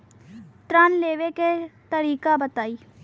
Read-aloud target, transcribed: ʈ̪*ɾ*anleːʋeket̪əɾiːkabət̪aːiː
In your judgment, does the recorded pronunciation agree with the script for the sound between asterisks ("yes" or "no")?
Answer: yes